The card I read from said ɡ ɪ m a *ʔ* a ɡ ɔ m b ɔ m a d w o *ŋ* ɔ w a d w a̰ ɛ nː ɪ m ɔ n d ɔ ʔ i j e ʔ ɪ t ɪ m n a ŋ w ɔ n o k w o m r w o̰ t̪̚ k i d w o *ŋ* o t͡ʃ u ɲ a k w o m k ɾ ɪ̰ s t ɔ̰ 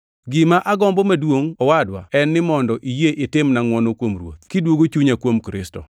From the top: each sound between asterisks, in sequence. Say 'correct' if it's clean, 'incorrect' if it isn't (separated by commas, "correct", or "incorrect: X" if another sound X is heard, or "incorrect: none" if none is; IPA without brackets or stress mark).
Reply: correct, correct, incorrect: ɡ